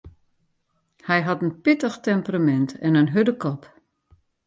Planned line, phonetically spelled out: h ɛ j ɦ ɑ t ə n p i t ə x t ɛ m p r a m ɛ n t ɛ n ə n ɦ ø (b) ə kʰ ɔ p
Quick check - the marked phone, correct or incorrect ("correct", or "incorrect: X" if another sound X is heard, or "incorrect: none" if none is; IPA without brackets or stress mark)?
incorrect: d